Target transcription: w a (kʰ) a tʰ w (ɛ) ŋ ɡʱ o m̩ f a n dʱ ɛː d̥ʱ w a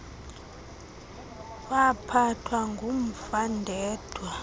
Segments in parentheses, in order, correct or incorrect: incorrect: pʰ, incorrect: a

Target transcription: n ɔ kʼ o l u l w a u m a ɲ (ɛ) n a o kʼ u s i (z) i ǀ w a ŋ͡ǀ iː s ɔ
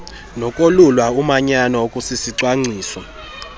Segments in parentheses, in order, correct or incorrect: incorrect: a, incorrect: s

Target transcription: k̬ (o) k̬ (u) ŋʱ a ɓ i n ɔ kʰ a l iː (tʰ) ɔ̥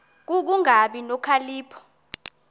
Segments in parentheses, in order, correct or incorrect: incorrect: u, correct, incorrect: pʰ

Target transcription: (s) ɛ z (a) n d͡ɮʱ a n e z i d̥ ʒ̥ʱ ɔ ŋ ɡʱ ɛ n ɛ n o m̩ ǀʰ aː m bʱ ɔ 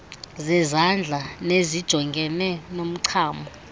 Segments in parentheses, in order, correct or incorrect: incorrect: z, correct

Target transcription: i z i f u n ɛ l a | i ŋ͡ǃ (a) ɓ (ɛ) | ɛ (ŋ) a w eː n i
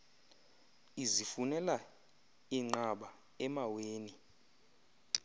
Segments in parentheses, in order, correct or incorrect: correct, incorrect: a, incorrect: m

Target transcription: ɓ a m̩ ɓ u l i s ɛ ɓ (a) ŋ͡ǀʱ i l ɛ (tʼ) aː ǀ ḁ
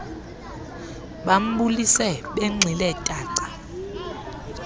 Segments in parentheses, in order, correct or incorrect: incorrect: ɛ, correct

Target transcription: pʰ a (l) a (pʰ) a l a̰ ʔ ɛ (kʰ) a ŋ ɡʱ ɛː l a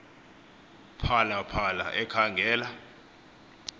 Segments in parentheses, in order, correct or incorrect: correct, correct, correct

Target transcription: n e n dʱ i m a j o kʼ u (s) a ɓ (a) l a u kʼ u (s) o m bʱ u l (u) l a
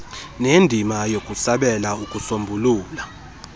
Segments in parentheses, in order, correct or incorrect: correct, incorrect: ɛ, correct, incorrect: uː

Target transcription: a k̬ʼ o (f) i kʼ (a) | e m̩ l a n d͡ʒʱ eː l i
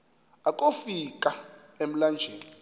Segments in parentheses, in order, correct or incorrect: correct, correct

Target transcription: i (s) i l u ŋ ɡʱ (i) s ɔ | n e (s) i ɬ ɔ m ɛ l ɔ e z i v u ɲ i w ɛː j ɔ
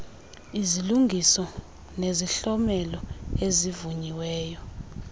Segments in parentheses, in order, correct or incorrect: incorrect: z, correct, incorrect: z

